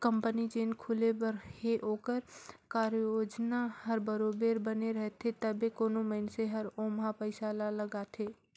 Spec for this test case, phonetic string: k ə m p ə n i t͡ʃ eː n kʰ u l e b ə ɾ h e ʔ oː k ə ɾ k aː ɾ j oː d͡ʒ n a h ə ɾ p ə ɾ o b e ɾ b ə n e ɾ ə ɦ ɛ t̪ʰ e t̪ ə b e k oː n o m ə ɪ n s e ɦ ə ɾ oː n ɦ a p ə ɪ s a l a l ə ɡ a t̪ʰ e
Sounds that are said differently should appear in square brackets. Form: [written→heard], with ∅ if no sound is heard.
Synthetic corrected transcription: k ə m p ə n i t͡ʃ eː n kʰ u l e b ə ɾ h e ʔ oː k ə ɾ k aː ɾ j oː d͡ʒ n a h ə ɾ [p→b] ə ɾ o b e ɾ b ə n e ɾ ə ɦ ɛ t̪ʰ e t̪ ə b e k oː n o m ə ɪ n s e ɦ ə ɾ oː [n→m] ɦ a p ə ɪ s a l a l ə ɡ a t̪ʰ e

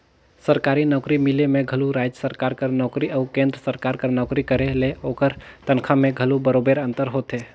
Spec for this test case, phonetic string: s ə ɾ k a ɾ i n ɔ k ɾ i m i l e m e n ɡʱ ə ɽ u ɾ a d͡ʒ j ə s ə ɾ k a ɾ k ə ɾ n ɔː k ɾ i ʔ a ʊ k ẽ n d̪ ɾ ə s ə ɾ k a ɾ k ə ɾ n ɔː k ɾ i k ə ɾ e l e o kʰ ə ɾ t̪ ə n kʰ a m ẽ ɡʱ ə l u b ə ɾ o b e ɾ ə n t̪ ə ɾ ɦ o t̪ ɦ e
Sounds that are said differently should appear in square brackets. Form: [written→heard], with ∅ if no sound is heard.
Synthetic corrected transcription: s ə ɾ k a ɾ i n ɔ k ɾ i m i l e m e [n→∅] ɡʱ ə [ɽ→l] u ɾ a d͡ʒ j ə s ə ɾ k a ɾ k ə ɾ n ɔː k ɾ i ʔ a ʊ k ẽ n d̪ ɾ ə s ə ɾ k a ɾ k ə ɾ n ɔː k ɾ i k ə ɾ e l e o [kʰ→k] ə ɾ t̪ ə n kʰ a m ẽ ɡʱ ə l u b ə ɾ o b e ɾ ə n t̪ ə ɾ ɦ o t̪ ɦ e

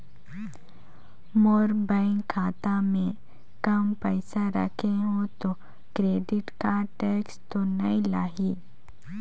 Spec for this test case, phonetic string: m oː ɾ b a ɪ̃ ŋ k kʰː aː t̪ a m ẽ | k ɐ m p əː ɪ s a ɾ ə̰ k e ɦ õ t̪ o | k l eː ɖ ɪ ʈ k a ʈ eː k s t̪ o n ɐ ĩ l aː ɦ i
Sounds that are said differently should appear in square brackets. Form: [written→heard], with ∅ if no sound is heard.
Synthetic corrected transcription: m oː ɾ b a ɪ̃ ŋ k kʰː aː t̪ a m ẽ | k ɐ m p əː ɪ s a ɾ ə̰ [k→kʰ] e ɦ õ t̪ o | k [l→ɾ] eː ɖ ɪ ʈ k a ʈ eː k s t̪ o n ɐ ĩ l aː ɦ i

